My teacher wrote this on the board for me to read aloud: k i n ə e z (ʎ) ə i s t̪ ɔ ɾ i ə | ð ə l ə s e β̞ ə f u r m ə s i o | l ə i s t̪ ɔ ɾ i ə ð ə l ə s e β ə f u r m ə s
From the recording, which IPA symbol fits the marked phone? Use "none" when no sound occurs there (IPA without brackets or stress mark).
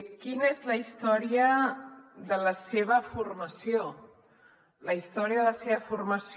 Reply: l